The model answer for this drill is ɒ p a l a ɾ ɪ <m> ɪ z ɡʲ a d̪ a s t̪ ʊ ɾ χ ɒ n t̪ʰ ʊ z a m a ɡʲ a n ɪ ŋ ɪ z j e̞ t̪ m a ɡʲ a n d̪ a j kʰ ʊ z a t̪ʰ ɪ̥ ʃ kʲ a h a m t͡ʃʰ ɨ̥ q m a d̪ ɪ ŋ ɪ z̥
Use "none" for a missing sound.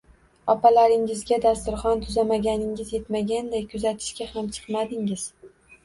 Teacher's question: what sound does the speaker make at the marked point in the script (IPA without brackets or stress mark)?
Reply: ŋ